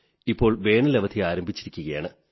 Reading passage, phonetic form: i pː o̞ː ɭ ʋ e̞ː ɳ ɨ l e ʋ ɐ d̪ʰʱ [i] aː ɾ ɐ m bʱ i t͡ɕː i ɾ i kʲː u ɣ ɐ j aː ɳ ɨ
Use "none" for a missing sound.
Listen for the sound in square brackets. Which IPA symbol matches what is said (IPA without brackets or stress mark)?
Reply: i